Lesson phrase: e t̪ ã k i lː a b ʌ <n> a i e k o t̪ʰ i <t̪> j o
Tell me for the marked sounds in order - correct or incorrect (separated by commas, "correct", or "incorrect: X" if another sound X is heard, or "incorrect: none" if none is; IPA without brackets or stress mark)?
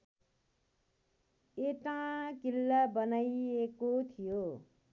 correct, incorrect: none